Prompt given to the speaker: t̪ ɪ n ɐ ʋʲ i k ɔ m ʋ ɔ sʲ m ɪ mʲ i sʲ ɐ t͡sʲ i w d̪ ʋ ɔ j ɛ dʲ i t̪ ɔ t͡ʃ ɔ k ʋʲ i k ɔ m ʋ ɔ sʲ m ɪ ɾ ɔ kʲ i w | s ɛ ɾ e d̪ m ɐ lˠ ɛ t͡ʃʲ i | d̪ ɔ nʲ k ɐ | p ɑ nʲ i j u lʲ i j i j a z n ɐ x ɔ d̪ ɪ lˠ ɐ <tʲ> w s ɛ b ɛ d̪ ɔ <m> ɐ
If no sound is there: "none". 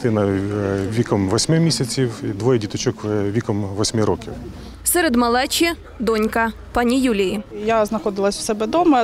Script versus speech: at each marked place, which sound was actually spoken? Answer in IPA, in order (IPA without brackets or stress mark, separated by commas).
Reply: sʲ, m